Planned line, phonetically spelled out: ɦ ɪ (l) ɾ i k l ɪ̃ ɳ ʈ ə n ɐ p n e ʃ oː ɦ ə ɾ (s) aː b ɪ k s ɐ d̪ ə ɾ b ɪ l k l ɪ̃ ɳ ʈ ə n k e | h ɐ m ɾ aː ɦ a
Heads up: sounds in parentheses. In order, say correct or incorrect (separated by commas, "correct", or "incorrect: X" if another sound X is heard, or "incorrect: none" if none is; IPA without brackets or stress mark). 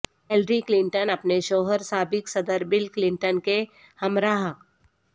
correct, correct